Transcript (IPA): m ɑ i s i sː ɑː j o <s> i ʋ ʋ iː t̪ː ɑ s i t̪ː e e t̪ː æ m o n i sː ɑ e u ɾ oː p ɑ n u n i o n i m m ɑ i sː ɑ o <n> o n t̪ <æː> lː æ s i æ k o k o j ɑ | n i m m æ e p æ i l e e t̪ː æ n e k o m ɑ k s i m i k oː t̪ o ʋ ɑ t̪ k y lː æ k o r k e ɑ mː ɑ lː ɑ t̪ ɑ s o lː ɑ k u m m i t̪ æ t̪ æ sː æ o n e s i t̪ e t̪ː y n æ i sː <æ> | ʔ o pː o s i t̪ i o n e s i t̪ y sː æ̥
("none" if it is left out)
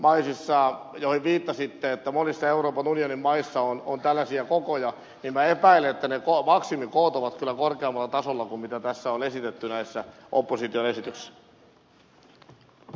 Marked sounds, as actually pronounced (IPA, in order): h, n, æ, æ

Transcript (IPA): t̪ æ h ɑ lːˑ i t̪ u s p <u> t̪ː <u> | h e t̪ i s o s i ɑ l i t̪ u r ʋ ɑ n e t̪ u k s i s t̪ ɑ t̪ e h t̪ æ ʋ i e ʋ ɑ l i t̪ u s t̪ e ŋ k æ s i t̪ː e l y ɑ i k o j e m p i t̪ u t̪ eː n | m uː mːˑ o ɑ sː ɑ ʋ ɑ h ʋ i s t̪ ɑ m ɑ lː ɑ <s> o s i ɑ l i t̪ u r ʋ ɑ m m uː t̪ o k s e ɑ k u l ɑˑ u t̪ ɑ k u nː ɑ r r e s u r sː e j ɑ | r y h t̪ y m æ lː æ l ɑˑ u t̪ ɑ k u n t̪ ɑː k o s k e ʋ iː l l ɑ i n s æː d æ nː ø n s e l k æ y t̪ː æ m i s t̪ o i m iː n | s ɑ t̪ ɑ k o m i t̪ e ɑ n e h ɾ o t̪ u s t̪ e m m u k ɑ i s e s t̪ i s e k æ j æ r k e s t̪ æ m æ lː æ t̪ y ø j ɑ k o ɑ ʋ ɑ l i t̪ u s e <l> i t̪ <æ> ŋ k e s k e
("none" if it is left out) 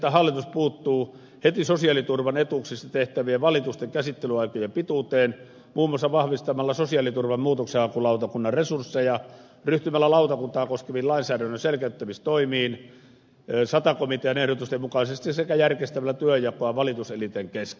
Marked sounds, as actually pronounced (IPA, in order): uː, uː, s, l, e

